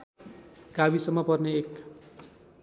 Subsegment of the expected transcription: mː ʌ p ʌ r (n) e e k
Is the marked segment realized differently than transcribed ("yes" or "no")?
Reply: no